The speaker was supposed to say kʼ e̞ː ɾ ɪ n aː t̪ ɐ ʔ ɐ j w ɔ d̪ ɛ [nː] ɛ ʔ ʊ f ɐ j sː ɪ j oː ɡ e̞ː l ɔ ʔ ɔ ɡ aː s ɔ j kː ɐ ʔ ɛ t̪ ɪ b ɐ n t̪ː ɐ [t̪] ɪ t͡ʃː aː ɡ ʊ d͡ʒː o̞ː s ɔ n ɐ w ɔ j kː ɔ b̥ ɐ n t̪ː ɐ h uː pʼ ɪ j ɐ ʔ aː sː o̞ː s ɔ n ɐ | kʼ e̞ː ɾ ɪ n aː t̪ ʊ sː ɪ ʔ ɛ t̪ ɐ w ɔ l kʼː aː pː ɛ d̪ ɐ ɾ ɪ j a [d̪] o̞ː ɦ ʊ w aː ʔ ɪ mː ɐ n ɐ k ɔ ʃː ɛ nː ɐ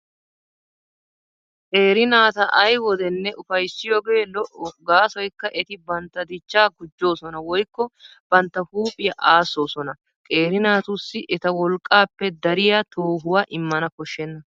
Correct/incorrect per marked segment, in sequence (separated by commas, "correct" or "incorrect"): correct, incorrect, incorrect